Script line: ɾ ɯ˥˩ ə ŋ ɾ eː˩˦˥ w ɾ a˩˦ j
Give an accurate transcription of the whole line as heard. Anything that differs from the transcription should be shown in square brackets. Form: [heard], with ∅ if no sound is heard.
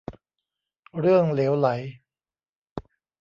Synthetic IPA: ɾ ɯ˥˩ ə ŋ [l] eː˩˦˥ w [l] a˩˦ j